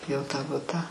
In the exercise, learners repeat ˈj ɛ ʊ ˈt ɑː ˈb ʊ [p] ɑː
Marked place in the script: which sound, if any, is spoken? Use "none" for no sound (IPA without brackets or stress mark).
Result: t